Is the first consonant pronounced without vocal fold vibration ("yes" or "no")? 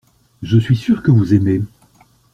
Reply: no